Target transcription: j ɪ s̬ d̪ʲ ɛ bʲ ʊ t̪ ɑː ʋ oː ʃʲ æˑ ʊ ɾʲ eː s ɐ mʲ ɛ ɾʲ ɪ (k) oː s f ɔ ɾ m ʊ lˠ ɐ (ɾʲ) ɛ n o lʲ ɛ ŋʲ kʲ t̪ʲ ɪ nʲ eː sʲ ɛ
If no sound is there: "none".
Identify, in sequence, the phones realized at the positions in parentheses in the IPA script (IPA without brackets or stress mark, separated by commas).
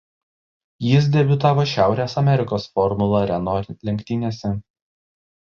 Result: k, ɾʲ